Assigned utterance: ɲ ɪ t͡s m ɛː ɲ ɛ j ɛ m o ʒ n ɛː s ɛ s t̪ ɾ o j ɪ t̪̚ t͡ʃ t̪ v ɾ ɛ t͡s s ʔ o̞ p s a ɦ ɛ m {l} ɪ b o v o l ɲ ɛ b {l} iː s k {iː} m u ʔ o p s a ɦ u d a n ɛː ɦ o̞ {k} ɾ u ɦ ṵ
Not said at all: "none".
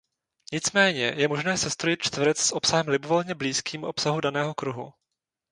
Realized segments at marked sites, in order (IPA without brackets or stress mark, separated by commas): l, l, iː, k